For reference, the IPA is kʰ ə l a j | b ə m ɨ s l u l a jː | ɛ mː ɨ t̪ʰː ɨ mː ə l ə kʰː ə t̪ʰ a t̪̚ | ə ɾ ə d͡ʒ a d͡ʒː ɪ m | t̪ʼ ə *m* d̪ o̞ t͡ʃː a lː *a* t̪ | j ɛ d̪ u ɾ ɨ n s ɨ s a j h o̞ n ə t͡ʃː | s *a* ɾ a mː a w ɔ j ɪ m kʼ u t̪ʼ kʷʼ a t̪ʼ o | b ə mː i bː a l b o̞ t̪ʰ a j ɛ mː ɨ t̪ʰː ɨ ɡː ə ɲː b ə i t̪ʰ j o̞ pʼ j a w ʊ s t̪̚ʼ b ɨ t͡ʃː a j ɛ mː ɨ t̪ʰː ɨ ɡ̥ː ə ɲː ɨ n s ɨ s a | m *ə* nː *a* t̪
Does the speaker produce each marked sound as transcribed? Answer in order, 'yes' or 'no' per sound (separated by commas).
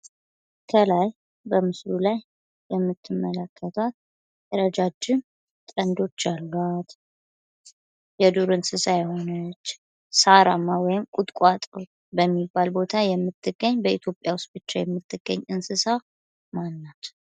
no, yes, yes, no, yes